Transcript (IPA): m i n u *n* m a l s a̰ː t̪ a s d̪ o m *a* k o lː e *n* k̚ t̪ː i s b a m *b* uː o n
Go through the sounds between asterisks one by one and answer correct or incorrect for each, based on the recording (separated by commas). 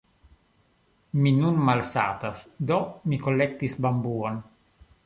correct, incorrect, incorrect, correct